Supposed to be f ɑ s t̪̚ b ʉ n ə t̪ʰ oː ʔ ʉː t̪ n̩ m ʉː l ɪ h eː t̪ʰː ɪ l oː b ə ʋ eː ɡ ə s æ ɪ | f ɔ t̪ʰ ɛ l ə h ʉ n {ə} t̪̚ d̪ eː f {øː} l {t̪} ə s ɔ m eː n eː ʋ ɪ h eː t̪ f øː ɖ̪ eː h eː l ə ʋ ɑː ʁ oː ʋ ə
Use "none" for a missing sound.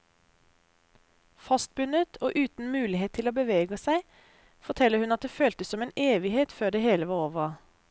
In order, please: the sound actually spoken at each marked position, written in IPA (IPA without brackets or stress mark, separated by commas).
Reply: ɑ, øː, t̪